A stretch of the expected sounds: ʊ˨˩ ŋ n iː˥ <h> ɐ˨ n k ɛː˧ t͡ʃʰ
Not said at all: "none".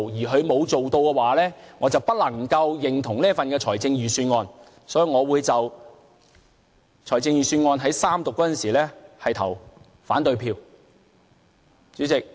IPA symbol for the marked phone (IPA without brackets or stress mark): f